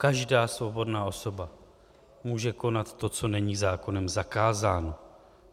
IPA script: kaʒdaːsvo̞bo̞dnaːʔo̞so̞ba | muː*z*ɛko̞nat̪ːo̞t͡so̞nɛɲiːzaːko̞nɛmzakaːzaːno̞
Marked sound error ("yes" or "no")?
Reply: yes